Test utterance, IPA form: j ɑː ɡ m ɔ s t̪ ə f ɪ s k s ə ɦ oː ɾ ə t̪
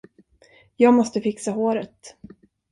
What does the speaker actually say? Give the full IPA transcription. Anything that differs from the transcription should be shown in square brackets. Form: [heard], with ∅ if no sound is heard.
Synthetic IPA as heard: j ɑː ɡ m ɔ s t̪ ə f ɪ [∅] k s [a] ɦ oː ɾ ə t̪

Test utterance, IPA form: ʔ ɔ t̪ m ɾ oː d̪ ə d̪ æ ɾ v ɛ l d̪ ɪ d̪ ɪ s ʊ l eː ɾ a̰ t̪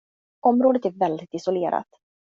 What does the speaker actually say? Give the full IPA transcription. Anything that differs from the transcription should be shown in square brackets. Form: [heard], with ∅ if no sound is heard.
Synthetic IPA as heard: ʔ ɔ [∅] m ɾ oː d̪ ə [t̪] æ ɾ v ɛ l d̪ ɪ [t̪] ɪ s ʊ l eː ɾ a̰ t̪

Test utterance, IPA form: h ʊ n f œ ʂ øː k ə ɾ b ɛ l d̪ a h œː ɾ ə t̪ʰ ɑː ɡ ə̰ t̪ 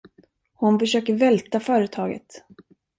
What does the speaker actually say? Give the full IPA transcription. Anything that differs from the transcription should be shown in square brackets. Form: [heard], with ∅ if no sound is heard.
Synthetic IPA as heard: h ʊ n f œ ʂ øː k ə ɾ [v] ɛ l [t̪] a [f] œː ɾ ə t̪ʰ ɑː ɡ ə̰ t̪

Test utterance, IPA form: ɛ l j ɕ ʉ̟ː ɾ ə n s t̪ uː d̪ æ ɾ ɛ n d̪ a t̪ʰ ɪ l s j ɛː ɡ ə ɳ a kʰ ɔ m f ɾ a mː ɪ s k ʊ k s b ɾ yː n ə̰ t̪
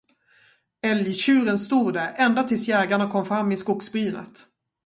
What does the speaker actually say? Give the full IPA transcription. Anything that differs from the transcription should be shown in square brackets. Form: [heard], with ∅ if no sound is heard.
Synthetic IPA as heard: ɛ l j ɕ ʉ̟ː ɾ ə n s t̪ uː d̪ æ ɾ ɛ n d̪ a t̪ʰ ɪ l s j ɛː ɡ [a] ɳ a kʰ ɔ m f ɾ a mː ɪ s k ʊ k s b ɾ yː n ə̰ t̪

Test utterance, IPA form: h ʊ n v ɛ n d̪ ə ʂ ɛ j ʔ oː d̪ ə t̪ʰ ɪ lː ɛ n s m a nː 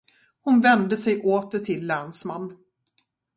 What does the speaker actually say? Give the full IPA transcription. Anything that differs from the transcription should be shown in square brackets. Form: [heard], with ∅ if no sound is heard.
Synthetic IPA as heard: h ʊ n v ɛ n d̪ ə [s] ɛ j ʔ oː [t̪] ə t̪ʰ ɪ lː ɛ n s m a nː

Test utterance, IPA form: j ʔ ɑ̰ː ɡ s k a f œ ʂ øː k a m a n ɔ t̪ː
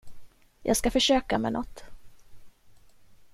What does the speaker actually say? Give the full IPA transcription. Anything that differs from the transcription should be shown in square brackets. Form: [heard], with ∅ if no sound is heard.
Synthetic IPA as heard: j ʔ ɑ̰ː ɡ s k a f œ ʂ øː k a m [ɛ] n ɔ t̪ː

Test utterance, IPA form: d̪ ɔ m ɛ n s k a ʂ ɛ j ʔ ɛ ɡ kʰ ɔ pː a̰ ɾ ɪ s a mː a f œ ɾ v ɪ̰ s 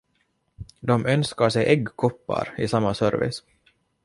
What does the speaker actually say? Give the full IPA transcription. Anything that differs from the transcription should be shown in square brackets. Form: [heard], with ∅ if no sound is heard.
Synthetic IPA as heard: d̪ ɔ m [œ] n s k a ʂ ɛ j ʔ ɛ ɡ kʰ ɔ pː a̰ ɾ ɪ s a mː a [s] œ ɾ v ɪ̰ s

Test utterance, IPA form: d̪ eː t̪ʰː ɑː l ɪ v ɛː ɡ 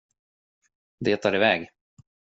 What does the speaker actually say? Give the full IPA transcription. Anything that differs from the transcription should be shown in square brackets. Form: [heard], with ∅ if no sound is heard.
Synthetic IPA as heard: d̪ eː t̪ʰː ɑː [ɾ] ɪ v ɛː ɡ

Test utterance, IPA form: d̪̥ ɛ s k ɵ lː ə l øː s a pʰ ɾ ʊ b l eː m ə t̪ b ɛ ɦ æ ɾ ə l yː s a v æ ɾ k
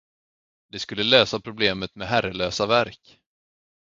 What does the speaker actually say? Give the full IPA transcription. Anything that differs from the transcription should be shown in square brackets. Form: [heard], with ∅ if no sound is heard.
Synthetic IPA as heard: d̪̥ ɛ s k ɵ lː ə l øː s a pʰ ɾ ʊ b l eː m ə t̪ [m] ɛ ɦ æ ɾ ə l [øː] s a v æ ɾ k

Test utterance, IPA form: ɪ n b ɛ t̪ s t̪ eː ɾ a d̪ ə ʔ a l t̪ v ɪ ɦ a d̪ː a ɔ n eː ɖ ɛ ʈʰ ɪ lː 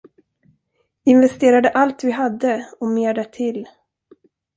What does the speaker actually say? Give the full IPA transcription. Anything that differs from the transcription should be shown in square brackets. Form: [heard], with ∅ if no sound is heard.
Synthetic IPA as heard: ɪ n [v] ɛ [∅] s t̪ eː ɾ a d̪ ə ʔ a l t̪ v ɪ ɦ a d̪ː [ə] ɔ [m] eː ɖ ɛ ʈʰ ɪ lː

